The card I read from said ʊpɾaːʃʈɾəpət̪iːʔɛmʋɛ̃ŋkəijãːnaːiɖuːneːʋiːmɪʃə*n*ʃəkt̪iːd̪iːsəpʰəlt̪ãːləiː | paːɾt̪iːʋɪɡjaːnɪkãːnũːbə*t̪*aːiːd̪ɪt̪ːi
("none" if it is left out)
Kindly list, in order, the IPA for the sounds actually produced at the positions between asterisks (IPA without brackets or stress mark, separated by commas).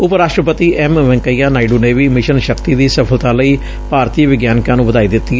n, d̪